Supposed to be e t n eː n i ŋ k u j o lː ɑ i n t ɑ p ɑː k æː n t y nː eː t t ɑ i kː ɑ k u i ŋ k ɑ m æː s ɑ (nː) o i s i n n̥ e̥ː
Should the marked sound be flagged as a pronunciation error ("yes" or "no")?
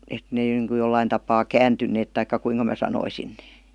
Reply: yes